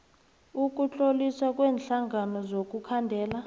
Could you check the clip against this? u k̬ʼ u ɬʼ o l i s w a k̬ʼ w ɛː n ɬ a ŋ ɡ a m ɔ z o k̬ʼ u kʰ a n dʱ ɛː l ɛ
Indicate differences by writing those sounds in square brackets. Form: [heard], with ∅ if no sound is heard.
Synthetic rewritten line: u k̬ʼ u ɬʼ o l i s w a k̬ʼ w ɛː n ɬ a ŋ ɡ a [n] ɔ z o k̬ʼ u kʰ a n dʱ ɛː l [a]